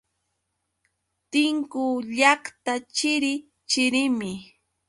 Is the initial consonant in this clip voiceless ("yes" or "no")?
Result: yes